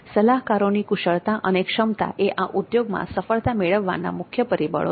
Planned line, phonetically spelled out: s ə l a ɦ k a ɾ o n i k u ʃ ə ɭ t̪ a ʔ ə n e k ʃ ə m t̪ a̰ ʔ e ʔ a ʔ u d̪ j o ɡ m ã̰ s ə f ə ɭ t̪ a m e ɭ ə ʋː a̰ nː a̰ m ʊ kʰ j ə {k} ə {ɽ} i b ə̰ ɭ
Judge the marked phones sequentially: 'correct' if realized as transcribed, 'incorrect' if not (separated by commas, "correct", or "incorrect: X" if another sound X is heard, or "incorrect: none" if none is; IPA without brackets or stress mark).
incorrect: p, incorrect: ɾ